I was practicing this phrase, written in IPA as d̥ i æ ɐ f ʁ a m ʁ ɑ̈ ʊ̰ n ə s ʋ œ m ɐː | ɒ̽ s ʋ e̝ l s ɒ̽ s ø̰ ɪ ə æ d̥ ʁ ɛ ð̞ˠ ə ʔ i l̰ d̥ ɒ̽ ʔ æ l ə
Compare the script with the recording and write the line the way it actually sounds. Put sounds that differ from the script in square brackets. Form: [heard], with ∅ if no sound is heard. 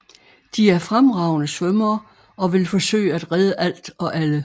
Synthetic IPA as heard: d̥ i æ ɐ f ʁ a m ʁ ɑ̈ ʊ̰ n ə s ʋ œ m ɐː | ɒ̽ [∅] ʋ e̝ l [f] ɒ̽ s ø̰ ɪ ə æ d̥ ʁ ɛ ð̞ˠ ə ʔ [æ] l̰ d̥ ɒ̽ ʔ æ l ə